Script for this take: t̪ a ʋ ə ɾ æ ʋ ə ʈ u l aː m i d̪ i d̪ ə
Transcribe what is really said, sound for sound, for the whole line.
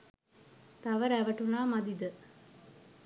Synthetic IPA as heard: t̪ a ʋ ə ɾ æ ʋ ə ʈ u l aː m a d̪ i d̪ ə